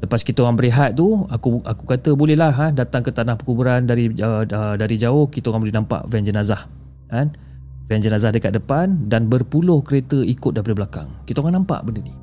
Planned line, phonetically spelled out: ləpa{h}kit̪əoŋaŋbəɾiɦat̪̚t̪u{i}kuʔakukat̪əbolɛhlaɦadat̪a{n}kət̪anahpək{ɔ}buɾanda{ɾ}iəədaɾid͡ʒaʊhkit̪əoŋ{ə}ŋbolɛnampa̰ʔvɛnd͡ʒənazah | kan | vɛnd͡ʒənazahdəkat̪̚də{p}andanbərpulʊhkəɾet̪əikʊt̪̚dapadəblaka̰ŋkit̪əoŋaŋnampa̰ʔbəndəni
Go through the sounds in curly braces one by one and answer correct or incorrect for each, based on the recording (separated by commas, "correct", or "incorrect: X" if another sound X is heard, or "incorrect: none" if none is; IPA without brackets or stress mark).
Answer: incorrect: s, incorrect: a, incorrect: ŋ, incorrect: u, correct, incorrect: a, correct